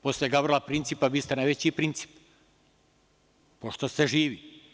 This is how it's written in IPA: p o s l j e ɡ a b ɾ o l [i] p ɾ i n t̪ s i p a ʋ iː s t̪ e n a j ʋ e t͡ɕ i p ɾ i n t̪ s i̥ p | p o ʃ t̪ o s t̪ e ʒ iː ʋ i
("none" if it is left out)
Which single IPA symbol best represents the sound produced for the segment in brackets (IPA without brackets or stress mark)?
a